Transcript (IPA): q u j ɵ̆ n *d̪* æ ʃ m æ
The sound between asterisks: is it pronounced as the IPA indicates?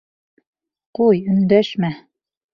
yes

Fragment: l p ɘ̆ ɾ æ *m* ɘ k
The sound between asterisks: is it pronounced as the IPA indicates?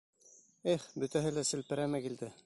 yes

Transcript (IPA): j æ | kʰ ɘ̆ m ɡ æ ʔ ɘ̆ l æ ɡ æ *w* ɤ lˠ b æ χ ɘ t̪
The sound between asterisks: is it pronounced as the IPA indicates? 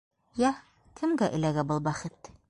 no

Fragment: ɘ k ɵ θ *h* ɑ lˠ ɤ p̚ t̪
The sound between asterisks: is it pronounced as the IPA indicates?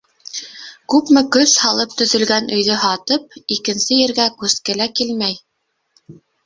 yes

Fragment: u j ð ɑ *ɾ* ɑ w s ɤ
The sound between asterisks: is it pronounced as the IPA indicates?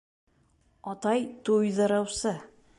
yes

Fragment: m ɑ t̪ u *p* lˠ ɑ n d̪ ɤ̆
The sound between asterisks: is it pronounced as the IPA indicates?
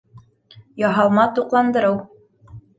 no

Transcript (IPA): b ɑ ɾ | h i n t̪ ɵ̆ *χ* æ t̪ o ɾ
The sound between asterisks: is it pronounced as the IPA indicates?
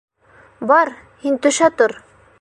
no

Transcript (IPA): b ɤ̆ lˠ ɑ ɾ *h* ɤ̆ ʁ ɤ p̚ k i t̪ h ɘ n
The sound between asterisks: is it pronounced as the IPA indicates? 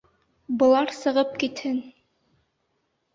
no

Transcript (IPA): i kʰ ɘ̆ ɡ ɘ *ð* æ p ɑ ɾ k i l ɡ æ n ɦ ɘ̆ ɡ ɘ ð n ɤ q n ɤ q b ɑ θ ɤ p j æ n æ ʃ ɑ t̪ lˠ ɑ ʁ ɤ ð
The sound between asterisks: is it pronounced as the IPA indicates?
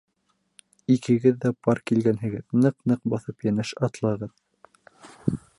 no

